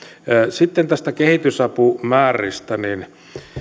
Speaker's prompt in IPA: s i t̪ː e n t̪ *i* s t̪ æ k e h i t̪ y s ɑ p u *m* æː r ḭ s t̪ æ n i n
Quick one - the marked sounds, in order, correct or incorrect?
incorrect: æ, correct

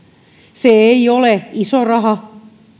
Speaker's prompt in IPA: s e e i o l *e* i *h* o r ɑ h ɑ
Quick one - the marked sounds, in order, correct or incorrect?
correct, incorrect: s

